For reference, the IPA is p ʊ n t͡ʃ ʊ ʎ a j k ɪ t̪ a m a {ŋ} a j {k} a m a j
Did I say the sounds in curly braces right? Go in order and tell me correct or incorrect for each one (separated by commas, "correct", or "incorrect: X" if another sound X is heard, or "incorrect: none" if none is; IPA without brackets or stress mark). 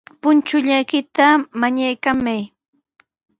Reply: incorrect: ɲ, correct